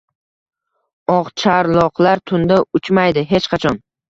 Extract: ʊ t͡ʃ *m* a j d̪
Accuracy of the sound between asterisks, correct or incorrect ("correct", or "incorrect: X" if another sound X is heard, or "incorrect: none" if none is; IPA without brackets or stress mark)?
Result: correct